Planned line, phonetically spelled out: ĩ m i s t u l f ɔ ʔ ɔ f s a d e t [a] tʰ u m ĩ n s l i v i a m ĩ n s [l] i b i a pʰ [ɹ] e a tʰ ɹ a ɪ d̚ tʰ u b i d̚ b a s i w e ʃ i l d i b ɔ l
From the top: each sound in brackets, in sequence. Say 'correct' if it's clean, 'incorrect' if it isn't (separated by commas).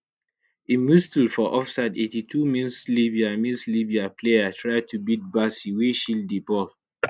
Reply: incorrect, correct, incorrect